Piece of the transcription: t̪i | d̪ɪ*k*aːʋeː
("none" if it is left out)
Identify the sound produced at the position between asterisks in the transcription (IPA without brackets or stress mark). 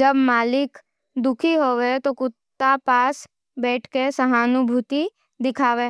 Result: kʰ